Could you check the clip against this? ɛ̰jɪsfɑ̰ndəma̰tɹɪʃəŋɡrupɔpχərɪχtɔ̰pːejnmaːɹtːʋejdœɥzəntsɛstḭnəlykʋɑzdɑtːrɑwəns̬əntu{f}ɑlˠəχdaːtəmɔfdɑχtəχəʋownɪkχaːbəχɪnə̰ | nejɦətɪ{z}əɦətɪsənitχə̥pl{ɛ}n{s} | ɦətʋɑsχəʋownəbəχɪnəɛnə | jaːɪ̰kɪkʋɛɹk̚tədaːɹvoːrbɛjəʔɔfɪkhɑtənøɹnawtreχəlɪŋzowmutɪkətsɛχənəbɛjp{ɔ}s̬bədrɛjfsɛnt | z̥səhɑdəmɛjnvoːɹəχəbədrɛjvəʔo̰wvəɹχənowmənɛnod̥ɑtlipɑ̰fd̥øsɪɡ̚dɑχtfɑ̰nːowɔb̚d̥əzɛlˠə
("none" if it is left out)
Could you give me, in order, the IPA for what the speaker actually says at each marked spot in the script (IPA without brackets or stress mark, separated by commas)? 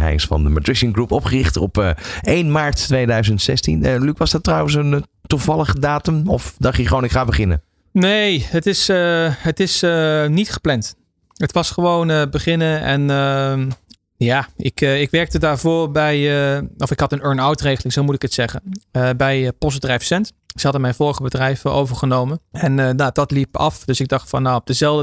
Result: v, s, ɛ, t, ɔ